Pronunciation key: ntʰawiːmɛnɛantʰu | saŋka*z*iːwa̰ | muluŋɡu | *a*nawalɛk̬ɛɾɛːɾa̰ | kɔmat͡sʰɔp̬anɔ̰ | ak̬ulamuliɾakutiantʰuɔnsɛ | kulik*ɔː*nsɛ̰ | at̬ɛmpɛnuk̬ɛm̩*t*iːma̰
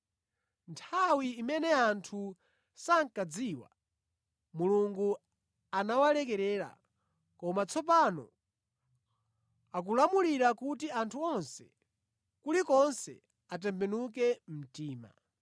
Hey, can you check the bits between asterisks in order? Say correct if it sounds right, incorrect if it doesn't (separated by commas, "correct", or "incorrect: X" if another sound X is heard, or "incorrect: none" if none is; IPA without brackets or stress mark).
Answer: incorrect: d͡z, correct, incorrect: ɔ, correct